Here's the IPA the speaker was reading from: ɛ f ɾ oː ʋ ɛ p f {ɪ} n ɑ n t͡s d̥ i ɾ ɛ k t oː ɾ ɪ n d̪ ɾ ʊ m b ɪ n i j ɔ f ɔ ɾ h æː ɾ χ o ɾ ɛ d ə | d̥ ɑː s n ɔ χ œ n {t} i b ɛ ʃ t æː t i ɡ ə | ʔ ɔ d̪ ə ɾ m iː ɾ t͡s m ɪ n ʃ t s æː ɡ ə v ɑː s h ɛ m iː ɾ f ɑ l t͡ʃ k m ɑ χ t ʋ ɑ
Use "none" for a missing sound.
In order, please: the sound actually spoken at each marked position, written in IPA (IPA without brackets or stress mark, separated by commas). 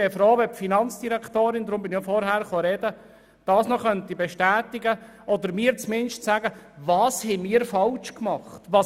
i, t